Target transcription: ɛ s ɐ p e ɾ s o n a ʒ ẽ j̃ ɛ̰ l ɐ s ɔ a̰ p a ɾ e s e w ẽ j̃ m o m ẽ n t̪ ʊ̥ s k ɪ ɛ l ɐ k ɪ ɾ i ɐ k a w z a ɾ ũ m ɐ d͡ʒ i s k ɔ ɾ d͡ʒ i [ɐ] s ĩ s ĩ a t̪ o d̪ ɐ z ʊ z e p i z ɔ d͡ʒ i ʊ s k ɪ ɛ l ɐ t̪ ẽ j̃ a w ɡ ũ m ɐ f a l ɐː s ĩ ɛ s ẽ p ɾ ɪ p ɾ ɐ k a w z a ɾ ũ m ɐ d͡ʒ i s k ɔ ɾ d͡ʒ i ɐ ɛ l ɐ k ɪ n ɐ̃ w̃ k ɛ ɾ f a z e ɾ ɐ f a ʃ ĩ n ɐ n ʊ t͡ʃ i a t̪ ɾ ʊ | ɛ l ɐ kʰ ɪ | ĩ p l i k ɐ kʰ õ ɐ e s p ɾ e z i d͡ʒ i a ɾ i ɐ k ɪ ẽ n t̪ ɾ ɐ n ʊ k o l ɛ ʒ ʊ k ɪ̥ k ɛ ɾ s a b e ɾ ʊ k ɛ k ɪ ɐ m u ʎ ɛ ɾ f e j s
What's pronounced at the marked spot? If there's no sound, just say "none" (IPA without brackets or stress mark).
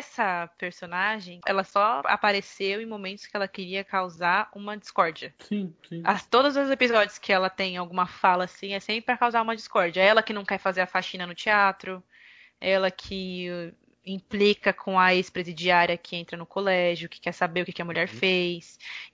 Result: ɐ